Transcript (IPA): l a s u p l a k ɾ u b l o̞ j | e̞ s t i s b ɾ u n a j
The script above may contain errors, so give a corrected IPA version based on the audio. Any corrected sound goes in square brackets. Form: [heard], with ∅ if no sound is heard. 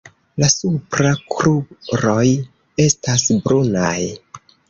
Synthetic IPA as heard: l a s u p [ɾ] a k ɾ u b [ɾ] o̞ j | e̞ s t [a] s b ɾ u n a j